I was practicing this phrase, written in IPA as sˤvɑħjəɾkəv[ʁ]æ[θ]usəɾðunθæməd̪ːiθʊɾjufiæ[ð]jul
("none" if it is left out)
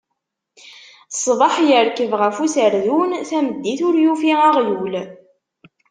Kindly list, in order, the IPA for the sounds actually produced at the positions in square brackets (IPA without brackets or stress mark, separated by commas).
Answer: ʁ, f, ʁ